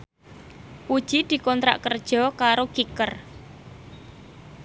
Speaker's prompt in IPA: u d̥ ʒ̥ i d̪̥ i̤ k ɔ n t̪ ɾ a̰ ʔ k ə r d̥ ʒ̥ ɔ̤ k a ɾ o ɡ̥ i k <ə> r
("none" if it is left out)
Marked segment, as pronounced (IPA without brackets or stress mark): ə